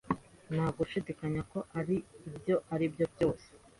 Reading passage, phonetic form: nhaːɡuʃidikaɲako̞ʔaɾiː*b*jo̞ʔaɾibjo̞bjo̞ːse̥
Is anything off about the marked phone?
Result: no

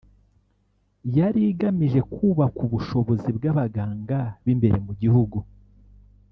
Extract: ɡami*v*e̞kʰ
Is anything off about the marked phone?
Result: yes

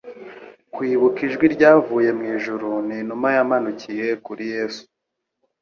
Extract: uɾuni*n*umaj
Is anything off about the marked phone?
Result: no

